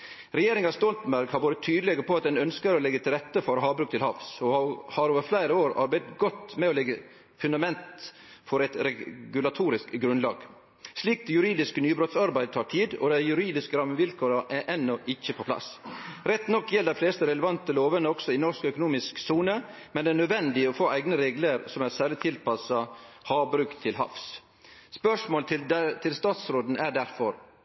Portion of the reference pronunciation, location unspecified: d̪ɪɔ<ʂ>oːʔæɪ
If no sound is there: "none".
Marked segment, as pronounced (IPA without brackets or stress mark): f